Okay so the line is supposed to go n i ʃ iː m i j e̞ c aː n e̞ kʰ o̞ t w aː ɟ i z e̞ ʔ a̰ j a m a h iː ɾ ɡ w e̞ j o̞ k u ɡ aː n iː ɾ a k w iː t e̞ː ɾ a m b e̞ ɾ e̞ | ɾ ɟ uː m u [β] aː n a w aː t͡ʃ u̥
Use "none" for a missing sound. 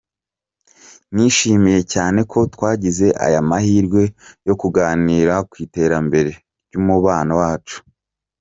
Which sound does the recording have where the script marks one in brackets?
β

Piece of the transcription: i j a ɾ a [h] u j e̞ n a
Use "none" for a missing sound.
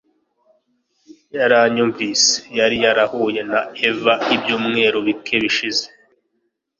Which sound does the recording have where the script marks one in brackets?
h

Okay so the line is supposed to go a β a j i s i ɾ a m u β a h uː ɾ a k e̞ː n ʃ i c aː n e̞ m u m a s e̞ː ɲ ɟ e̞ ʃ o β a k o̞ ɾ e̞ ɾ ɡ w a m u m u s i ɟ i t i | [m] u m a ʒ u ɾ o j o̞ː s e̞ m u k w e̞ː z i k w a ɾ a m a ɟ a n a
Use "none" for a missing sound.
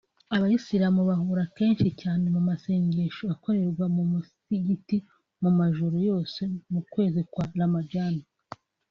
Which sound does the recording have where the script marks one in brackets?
m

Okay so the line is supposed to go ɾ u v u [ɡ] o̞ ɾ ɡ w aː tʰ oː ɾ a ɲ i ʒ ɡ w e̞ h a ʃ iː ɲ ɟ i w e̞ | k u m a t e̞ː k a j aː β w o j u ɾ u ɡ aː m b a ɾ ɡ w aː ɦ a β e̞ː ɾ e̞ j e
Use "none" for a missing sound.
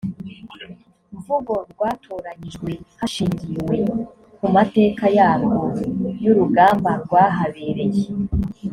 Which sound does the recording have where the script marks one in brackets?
ɡ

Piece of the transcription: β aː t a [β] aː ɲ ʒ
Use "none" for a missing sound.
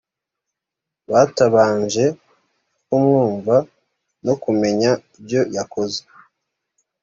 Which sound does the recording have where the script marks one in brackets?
β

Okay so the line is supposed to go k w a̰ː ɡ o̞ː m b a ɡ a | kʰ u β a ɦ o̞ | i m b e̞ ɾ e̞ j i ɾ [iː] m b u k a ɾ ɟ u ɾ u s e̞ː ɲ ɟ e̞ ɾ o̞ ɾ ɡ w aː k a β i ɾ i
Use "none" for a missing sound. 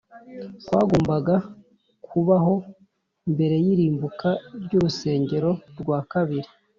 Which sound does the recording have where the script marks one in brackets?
iː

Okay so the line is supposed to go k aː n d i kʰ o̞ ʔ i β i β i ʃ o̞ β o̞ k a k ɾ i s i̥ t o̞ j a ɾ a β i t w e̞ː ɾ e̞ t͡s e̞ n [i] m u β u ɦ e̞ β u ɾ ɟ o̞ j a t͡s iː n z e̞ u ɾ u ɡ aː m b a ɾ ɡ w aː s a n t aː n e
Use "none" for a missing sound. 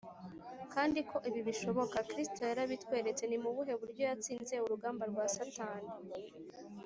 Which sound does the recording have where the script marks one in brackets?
i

